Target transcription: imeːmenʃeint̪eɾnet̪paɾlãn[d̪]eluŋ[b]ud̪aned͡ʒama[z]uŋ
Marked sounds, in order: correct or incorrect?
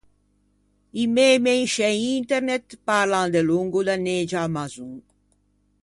correct, incorrect, correct

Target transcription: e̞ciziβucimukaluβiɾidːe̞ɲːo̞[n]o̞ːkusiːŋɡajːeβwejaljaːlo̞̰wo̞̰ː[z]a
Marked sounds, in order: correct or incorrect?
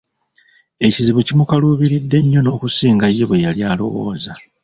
correct, correct

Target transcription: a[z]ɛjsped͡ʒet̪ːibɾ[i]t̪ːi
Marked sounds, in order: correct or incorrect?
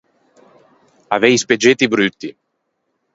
incorrect, incorrect

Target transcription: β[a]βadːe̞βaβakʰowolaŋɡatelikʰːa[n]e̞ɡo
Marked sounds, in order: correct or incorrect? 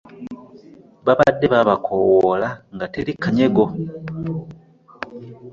correct, incorrect

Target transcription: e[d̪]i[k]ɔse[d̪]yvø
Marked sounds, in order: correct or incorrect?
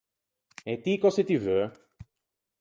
incorrect, correct, incorrect

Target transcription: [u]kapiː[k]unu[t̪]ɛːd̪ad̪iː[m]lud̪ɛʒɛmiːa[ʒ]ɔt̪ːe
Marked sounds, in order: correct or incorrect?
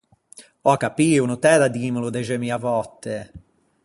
incorrect, incorrect, correct, correct, incorrect

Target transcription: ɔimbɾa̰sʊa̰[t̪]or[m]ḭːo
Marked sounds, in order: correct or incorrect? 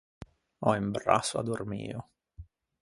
incorrect, correct

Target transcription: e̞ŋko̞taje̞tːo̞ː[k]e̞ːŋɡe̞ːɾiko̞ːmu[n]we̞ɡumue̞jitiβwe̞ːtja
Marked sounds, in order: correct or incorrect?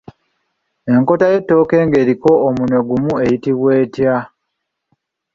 correct, correct

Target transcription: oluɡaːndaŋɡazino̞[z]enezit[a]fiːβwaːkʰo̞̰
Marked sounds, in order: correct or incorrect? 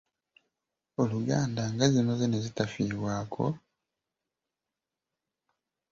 correct, correct

